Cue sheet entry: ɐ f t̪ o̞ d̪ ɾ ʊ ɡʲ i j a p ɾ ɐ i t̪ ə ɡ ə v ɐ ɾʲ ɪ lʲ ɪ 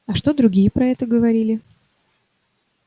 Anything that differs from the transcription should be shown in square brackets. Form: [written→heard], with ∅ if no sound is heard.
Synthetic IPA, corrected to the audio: ɐ [f→ʂ] t̪ o̞ d̪ ɾ ʊ ɡʲ i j [a→ə] p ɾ ɐ [i→ɛ] t̪ ə ɡ ə v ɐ ɾʲ [ɪ→i] lʲ ɪ